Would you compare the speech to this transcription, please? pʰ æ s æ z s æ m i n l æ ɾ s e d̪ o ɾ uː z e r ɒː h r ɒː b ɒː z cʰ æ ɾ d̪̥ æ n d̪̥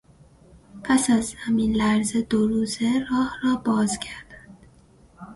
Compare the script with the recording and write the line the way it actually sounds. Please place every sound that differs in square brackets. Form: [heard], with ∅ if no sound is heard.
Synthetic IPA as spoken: pʰ æ s æ z [h] æ m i n l æ ɾ [z] e d̪ o ɾ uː z e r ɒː h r ɒː b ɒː z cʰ æ ɾ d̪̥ æ n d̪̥

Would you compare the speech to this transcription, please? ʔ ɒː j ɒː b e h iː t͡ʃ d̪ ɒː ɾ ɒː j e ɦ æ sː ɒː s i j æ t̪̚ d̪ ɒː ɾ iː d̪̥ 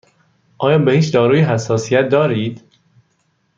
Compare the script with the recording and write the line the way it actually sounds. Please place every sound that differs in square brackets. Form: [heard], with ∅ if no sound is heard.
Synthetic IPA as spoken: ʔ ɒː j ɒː b e h iː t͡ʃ d̪ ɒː ɾ [uː] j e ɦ æ sː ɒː s i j æ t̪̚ d̪ ɒː ɾ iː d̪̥

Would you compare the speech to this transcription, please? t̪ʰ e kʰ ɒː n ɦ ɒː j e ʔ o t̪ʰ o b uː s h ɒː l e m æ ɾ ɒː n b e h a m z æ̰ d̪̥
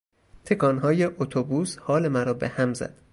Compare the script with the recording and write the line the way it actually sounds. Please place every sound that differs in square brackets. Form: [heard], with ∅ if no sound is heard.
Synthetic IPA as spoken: t̪ʰ e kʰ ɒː n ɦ ɒː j e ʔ o t̪ʰ o b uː s h ɒː l e m æ ɾ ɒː [∅] b e h [æ] m z æ̰ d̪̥

